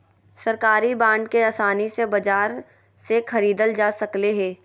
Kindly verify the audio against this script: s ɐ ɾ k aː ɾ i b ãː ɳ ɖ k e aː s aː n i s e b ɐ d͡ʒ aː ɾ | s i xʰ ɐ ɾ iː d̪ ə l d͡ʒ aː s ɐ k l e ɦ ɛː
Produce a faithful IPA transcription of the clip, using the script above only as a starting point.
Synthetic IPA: s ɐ ɾ k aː ɾ i b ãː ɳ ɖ k e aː s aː n i s e b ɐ d͡ʒ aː ɾ | s e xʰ ɐ ɾ iː d̪ ə l d͡ʒ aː s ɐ k l e ɦ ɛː